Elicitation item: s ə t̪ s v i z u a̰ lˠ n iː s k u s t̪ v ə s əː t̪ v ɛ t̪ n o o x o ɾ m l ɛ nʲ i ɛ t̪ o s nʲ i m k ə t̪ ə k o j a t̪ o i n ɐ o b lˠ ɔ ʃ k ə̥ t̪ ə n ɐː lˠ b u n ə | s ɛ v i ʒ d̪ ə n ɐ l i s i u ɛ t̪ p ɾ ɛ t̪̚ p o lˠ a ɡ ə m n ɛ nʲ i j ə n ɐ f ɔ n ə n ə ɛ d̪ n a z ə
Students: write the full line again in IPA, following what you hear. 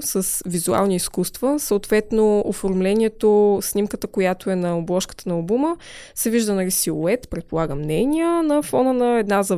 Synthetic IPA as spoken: s ə s v i z u a̰ lˠ n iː s k u s t̪ v ə s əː t̪ v ɛ t̪ n o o f o ɾ m l ɛ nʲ i ɛ t̪ o s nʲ i m k ə t̪ ə k o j a t̪ o ɛ n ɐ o b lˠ ɔ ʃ k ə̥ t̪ ə n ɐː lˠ b u m ə | s ɛ v i ʒ d̪ ə n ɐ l i s i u ɛ t̪ p ɾ ɛ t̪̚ p o lˠ a ɡ ə m n ɛ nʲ i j ə n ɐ f ɔ n ə n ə ɛ d̪ n a z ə